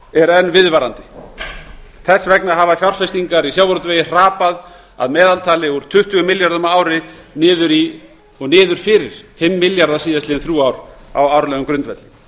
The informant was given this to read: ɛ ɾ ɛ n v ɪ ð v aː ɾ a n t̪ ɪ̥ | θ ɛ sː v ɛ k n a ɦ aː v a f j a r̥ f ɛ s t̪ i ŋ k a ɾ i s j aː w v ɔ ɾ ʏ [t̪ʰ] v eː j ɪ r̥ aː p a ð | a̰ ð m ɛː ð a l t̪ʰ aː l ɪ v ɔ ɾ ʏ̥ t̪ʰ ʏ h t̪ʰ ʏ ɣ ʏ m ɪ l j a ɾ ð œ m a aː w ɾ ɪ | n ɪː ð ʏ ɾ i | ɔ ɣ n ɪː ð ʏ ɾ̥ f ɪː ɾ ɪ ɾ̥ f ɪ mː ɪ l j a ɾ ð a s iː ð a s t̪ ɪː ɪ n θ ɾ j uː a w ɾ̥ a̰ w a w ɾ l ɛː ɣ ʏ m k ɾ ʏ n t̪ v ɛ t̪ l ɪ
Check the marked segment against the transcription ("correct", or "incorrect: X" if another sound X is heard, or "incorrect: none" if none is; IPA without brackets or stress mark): incorrect: t̪